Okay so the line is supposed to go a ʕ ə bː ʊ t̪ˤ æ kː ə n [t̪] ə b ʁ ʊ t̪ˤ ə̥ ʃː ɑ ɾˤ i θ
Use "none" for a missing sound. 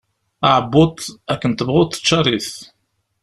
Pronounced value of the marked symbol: t̪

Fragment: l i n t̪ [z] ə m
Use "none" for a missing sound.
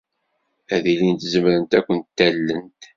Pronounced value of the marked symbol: z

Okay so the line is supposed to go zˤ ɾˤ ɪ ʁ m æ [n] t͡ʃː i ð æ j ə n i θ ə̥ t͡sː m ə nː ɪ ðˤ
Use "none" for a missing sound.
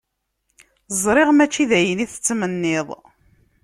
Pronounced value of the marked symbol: none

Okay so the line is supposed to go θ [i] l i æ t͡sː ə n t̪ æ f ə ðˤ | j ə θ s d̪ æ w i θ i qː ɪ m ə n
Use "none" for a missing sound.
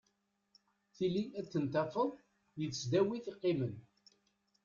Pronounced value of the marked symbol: i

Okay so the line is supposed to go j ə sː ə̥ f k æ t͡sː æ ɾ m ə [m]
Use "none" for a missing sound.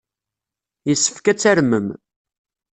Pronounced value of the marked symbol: m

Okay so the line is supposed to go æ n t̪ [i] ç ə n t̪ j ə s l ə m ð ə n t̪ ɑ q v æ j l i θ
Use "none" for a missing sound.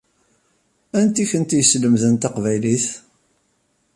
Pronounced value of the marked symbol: i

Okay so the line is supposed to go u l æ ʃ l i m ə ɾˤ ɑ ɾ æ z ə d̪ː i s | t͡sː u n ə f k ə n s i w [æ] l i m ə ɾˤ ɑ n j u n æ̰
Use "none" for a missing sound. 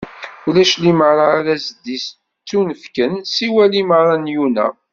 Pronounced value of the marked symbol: æ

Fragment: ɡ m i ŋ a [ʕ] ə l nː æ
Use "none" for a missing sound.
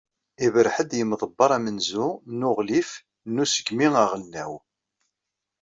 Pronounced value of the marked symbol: ʁ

